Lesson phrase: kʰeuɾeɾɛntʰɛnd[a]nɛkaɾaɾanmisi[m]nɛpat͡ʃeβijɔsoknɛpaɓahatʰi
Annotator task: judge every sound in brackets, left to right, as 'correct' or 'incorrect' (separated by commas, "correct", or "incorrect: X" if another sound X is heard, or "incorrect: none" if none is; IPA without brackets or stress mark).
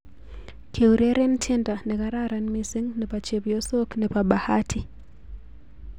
correct, incorrect: ŋ